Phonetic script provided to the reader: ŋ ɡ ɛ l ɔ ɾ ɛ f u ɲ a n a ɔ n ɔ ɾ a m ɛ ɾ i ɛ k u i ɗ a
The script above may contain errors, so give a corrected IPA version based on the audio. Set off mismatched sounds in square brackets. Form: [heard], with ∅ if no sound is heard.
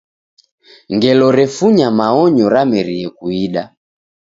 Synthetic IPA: ŋ ɡ ɛ l ɔ ɾ ɛ f u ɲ a [m] a ɔ [ɲ] ɔ ɾ a m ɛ ɾ i ɛ k u i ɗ a